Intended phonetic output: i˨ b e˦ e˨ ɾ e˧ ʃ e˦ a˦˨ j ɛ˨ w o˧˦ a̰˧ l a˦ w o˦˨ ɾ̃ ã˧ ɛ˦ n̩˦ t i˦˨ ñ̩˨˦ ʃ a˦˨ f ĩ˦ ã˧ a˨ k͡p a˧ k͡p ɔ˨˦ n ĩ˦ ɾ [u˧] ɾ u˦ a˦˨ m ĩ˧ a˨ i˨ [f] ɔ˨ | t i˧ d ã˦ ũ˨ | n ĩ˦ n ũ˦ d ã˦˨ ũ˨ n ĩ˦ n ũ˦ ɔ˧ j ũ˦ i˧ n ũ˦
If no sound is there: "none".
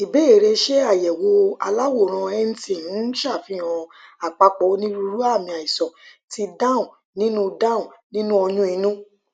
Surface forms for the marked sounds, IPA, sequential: u˧, s

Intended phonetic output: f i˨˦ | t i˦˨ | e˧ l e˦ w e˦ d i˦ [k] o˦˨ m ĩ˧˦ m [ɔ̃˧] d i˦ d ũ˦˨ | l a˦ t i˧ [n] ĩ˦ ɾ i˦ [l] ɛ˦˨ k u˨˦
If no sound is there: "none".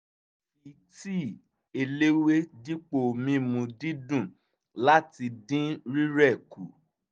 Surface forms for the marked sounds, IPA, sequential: k͡p, ũ˧, d, ɾ

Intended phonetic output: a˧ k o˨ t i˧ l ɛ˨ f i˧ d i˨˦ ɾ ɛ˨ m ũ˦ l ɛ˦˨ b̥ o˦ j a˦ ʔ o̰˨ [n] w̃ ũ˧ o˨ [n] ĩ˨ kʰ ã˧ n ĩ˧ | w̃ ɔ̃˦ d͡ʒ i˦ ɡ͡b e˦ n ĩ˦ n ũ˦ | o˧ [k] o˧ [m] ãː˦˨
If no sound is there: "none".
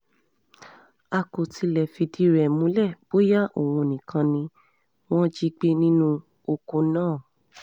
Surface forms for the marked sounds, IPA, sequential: none, n, k, n

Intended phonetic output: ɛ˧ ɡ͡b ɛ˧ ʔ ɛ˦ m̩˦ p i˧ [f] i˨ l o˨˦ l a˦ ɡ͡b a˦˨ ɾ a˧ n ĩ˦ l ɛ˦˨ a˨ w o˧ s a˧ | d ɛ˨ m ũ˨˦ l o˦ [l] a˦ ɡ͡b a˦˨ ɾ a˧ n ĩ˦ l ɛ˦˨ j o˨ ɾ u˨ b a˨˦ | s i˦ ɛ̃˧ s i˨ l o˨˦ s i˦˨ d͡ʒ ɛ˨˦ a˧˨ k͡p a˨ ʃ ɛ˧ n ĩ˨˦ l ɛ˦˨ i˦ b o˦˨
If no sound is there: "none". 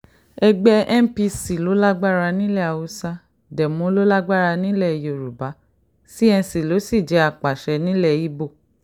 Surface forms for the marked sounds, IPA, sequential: s, l

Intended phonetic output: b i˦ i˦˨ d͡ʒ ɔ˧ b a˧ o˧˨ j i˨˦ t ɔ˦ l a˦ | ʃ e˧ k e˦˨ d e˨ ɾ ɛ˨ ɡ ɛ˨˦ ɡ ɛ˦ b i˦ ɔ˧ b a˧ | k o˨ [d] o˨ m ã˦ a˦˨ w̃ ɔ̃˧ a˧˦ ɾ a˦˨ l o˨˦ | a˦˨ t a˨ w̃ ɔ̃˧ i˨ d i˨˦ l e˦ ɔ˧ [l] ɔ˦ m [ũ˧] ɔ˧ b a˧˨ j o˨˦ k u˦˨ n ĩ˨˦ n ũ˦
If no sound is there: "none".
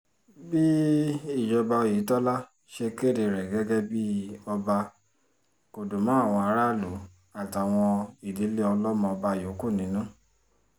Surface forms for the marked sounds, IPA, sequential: d, l, ɔ̃˧

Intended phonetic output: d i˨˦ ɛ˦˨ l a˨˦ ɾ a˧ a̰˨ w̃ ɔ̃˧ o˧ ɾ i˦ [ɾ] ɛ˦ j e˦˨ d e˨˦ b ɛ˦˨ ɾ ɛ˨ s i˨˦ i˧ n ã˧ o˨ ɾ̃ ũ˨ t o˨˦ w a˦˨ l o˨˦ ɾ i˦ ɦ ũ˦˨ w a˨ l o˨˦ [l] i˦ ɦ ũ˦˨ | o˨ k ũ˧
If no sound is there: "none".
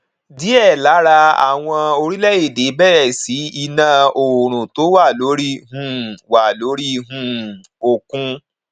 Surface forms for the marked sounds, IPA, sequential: l, ɾ

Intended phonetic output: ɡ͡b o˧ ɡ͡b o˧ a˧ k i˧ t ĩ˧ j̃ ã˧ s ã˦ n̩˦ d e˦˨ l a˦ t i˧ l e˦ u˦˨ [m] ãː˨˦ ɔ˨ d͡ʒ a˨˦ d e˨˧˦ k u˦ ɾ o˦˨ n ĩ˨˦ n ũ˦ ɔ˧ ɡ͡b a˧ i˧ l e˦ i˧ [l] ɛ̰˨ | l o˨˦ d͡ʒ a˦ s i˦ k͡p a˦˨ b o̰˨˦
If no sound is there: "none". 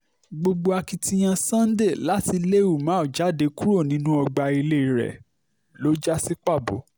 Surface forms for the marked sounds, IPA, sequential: m, ɾ

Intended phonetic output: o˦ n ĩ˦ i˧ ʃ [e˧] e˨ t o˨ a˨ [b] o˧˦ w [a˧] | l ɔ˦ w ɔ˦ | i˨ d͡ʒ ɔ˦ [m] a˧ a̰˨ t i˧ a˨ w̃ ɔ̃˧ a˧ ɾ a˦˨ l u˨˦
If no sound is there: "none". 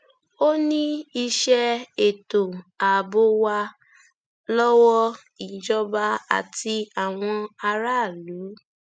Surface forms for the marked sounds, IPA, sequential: ɛ˧, b, a˧, b

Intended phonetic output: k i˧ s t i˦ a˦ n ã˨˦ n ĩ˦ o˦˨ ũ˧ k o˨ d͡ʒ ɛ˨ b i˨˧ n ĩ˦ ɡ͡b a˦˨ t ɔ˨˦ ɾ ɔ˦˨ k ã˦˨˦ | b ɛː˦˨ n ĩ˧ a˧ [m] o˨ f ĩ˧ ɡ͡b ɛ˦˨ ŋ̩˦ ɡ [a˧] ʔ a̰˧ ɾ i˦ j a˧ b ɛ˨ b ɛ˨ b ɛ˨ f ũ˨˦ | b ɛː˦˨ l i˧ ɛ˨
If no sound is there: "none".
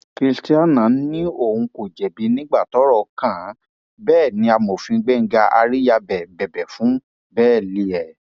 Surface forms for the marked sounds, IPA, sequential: m, a˧

